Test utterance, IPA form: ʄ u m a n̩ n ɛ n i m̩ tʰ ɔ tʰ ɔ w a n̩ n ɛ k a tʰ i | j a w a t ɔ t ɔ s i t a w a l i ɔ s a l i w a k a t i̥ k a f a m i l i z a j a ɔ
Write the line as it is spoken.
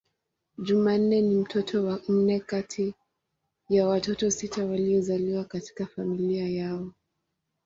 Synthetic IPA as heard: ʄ u m a n̩ n ɛ n i m̩ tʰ ɔ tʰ ɔ w a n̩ n ɛ k a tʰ i | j a w a t ɔ t ɔ s i t a w a l i ɔ z a l i w a k a t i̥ k a f a m i l i a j a ɔ